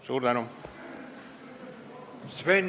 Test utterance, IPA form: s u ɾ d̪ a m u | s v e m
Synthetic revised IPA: s uː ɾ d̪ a n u | s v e n